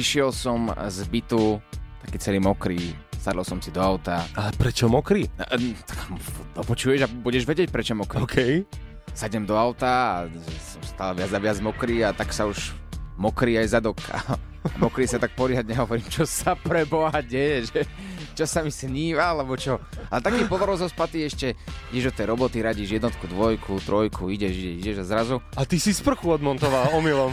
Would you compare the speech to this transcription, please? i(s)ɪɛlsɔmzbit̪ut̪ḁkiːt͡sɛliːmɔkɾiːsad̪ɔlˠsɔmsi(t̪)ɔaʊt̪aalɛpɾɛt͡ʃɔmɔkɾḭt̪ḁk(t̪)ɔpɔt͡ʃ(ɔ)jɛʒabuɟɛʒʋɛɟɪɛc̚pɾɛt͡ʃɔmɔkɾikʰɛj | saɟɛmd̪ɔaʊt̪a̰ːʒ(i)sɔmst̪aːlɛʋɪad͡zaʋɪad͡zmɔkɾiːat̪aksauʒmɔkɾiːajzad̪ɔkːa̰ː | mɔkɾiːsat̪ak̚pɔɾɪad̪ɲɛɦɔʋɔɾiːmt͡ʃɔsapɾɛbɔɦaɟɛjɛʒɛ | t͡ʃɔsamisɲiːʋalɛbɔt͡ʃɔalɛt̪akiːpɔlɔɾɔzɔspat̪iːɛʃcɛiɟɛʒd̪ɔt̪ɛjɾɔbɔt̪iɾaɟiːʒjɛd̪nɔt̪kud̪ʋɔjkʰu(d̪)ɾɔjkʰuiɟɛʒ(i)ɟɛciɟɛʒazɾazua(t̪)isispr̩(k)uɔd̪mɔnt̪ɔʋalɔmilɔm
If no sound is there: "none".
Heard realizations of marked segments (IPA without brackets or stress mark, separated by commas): ʃ, d̪, d̪, u, ɛ, t̪, i, t̪, x